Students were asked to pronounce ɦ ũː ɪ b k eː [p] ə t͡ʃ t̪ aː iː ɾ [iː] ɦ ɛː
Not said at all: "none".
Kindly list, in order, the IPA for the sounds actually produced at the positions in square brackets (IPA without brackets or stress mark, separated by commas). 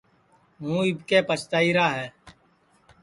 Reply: p, aː